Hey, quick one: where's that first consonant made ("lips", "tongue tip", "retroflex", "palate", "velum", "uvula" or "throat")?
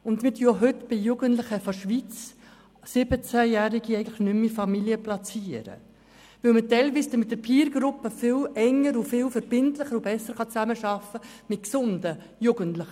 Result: tongue tip